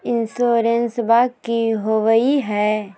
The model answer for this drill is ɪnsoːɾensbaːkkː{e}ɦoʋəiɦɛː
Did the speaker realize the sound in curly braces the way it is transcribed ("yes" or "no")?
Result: no